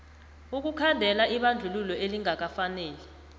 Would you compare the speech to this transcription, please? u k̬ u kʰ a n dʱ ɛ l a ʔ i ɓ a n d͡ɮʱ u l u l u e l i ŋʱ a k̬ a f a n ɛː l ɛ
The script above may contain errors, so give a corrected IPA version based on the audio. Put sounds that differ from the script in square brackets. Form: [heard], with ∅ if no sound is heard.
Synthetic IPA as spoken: u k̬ u kʰ a n dʱ ɛ l a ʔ i ɓ a n d͡ɮʱ u l u l [ɔ] e l i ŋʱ a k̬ a f a n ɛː l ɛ